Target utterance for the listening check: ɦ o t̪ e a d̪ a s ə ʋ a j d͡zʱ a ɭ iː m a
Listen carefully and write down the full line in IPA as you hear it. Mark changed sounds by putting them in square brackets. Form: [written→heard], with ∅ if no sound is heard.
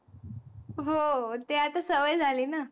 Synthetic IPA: ɦ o t̪ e a [d̪→t̪] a s ə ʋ [a→ə] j d͡zʱ a [ɭ→l] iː [m→n] a